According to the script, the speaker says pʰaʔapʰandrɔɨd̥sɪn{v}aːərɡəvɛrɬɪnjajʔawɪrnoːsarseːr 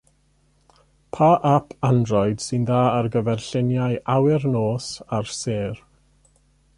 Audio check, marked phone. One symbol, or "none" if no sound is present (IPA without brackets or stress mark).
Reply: ð